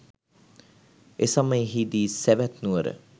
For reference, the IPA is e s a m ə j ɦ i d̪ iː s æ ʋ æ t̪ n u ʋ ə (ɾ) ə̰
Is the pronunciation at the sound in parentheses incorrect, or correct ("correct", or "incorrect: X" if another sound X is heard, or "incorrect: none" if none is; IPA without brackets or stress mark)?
correct